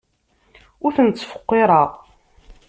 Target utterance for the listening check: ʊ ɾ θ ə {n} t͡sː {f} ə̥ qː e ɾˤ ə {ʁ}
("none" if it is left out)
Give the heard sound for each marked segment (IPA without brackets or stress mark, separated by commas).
n, f, ʁ